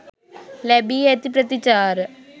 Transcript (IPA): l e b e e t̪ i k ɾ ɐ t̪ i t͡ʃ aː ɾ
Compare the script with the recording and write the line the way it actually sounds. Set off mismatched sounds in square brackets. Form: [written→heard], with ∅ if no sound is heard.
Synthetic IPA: l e b [e→i] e t̪ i [k→p] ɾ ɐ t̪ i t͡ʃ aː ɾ